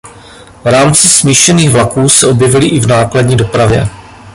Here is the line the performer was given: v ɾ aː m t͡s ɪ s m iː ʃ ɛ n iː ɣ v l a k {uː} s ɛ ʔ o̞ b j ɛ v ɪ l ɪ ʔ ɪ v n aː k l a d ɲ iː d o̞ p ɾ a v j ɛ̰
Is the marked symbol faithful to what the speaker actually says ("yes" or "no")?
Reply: yes